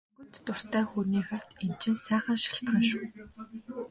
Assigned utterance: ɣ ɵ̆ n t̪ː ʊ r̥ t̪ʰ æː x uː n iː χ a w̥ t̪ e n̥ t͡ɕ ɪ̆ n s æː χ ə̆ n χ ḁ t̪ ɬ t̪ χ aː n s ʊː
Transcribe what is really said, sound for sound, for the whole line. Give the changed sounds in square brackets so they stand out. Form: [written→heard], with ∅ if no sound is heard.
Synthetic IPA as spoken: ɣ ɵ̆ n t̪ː ʊ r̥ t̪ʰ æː x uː n iː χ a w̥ t̪ e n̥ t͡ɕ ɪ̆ n s æː χ ə̆ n [χ→ʃ] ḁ [t̪→∅] ɬ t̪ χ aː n [s→ʃ] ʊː